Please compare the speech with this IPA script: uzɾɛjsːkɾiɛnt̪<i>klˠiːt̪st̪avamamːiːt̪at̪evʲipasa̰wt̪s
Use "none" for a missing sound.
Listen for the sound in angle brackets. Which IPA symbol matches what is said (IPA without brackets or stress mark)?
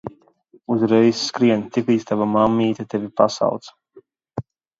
i